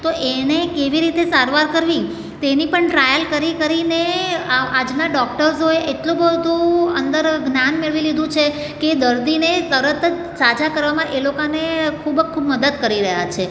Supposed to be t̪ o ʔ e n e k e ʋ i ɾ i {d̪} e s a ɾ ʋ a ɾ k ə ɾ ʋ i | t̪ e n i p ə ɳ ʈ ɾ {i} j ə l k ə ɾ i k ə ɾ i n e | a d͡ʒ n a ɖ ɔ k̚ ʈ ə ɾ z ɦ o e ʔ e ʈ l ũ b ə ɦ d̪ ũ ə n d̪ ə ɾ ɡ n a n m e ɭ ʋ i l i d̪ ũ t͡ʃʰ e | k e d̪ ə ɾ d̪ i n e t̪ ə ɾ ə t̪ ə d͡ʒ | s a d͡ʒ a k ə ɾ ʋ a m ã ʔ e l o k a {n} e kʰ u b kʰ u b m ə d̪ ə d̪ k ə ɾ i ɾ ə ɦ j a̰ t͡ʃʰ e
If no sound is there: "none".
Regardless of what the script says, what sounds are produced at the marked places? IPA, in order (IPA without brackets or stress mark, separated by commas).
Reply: t̪, a, n